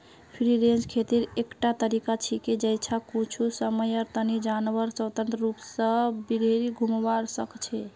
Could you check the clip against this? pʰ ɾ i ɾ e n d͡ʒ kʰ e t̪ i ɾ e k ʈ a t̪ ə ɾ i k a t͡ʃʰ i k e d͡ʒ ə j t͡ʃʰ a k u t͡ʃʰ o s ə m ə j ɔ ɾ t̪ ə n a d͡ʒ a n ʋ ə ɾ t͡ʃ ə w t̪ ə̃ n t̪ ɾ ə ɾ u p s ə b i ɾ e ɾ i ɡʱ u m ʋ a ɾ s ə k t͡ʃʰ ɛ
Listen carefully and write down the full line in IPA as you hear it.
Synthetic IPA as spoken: pʰ ɾ i ɾ e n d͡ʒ kʰ e t̪ i ɾ e k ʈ a t̪ ə ɾ i k a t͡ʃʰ i k e d͡ʒ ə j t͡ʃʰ a k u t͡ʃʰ u s ə m ə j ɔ ɾ t̪ ə n i d͡ʒ a n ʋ ə ɾ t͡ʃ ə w t̪ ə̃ n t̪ ɾ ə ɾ u p s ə b i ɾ e ɾ i ɡʱ u m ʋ a ɾ s ə k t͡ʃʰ ɛ